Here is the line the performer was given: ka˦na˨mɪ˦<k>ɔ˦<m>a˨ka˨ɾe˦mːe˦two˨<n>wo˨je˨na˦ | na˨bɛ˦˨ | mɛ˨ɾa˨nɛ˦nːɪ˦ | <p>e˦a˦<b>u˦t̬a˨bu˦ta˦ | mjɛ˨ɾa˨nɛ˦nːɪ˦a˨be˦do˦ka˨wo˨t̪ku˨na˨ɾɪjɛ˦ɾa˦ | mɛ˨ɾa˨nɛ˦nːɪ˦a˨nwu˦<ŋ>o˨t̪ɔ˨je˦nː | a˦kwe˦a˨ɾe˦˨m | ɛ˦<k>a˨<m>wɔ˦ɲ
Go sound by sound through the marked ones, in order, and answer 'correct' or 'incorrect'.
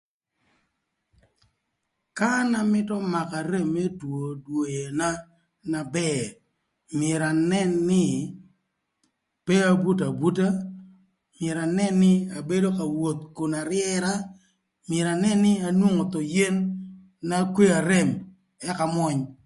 incorrect, correct, incorrect, correct, correct, correct, correct, correct

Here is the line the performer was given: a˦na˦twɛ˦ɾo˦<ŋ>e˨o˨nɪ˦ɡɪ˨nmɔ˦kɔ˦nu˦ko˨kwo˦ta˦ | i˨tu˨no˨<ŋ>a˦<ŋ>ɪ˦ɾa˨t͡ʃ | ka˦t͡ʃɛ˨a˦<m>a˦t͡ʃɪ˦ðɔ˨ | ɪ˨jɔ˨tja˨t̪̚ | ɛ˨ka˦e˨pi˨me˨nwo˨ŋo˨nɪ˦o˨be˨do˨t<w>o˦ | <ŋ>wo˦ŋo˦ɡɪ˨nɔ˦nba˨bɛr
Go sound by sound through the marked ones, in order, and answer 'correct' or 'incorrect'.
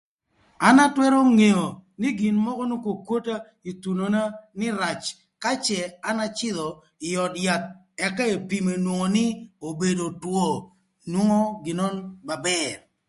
correct, incorrect, incorrect, incorrect, correct, incorrect

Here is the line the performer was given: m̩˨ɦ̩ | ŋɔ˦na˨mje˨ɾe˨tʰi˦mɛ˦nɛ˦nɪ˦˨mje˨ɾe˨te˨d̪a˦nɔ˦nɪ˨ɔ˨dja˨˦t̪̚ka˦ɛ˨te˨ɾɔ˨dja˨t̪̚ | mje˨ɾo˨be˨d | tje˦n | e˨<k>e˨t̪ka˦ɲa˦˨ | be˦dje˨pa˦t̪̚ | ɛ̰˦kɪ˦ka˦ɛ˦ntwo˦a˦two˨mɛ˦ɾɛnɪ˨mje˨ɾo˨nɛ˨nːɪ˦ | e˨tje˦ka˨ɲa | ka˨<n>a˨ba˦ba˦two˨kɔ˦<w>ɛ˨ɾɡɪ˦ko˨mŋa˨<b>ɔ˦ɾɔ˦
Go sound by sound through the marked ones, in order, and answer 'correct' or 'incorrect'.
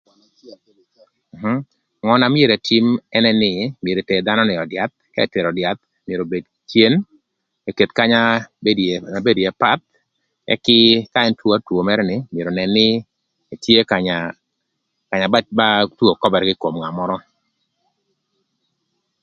correct, incorrect, incorrect, incorrect

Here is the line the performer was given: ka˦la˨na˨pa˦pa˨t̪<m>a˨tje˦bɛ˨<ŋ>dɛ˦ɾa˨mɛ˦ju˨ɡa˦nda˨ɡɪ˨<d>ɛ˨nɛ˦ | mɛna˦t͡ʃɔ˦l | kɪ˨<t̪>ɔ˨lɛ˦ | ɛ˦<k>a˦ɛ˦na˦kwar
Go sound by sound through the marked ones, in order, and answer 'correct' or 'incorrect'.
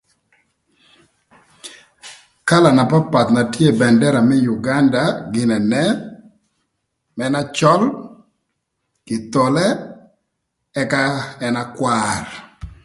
incorrect, incorrect, incorrect, correct, correct

